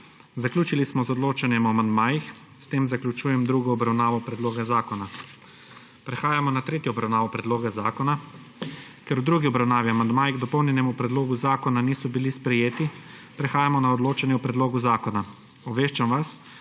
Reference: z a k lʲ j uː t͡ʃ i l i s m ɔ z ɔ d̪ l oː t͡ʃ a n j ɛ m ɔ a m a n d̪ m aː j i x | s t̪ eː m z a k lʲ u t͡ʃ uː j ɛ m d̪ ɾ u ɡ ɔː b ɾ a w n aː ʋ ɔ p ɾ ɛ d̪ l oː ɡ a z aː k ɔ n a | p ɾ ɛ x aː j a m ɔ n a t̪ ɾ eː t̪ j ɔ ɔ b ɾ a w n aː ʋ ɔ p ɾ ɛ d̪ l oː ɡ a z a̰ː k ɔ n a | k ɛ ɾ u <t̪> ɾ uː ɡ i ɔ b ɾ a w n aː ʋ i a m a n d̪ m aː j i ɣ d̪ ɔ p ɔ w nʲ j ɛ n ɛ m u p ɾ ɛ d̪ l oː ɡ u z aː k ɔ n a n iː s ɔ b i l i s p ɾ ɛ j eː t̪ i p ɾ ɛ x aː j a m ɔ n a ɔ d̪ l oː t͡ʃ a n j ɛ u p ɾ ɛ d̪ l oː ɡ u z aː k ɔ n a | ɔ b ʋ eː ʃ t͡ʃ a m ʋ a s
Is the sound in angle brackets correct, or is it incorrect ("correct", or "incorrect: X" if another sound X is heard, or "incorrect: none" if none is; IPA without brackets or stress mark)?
incorrect: d̪